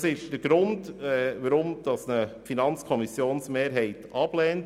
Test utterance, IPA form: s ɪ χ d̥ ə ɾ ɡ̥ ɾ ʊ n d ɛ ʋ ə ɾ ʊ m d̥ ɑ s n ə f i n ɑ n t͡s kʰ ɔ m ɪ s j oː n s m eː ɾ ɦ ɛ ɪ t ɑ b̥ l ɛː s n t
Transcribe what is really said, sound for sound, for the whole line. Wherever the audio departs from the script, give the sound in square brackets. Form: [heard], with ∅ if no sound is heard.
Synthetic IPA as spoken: s ɪ [ʃ] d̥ ə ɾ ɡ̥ ɾ ʊ n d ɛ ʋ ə ɾ ʊ m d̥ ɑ s n ə f i n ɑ n t͡s kʰ ɔ m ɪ s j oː n s m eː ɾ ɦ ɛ ɪ t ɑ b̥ l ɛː [∅] n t